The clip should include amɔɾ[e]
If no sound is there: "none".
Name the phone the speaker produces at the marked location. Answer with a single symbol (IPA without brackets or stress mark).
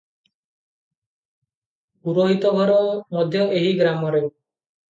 e